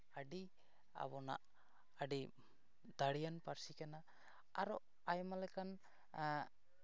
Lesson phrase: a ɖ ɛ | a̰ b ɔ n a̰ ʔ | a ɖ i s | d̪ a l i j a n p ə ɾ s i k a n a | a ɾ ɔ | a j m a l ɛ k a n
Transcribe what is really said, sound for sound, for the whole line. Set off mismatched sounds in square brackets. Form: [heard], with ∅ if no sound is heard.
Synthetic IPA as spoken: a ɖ [i] | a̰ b ɔ n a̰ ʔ | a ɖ i [∅] | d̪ a [ɽ] i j a n p [a] ɾ s i k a n a | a ɾ ɔ | a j m a l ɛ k a n